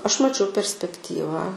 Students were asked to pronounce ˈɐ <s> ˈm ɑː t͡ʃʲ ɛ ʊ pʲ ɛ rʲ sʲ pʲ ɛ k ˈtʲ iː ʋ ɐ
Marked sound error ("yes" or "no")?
yes